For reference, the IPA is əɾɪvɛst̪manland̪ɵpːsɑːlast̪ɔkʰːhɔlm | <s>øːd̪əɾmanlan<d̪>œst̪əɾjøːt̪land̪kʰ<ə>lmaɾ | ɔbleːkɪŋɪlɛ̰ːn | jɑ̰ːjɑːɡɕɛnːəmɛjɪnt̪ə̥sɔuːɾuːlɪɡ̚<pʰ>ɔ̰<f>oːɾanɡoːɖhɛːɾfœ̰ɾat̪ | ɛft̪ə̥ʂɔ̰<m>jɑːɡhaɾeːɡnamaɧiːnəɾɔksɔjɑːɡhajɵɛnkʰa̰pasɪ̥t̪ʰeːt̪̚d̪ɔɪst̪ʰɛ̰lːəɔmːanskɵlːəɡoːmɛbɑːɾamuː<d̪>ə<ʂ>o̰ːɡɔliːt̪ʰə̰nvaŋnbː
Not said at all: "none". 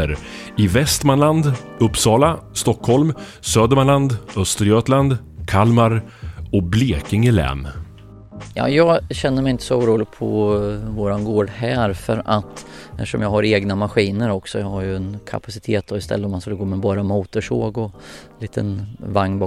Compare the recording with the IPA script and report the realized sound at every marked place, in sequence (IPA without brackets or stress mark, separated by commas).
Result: s, d̪, a, pʰ, v, m, t̪, ʂ